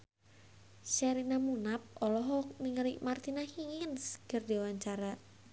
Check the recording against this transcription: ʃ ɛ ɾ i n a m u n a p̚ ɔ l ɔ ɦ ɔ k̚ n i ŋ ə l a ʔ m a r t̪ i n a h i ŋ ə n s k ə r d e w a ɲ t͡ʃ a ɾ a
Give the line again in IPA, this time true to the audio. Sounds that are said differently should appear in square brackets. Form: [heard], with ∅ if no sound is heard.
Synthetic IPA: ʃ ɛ ɾ i n a m u n a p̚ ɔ l ɔ ɦ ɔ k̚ n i ŋ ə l [i] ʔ m a r t̪ i n a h i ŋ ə n s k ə r d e w a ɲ t͡ʃ a ɾ a